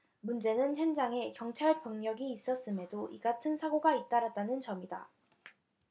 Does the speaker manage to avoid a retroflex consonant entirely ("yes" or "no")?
no